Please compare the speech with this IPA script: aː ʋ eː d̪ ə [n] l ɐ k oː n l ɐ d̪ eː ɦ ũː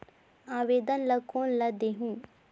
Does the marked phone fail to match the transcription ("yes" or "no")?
no